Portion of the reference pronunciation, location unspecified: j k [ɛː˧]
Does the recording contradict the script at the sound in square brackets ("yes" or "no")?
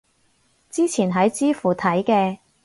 no